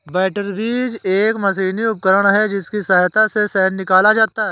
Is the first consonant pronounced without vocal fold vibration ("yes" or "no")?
no